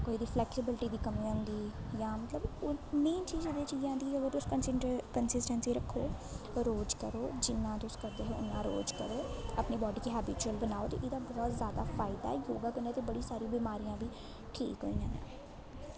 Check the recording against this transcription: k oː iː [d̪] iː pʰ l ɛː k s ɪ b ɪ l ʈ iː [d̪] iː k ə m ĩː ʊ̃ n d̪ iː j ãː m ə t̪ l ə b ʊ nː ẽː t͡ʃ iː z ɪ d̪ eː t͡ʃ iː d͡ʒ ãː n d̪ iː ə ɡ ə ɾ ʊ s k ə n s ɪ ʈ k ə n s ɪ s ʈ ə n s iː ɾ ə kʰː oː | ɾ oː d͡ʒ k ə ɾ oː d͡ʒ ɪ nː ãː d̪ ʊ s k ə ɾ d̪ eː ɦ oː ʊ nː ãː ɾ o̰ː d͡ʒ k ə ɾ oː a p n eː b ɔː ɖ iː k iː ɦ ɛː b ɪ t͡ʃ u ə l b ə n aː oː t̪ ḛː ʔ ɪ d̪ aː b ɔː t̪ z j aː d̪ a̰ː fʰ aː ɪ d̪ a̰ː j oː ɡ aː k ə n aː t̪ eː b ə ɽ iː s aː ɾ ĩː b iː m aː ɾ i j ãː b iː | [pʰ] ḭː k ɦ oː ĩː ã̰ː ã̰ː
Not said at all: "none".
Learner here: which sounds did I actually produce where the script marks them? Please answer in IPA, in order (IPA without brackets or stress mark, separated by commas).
d̪, d̪, ʈʰ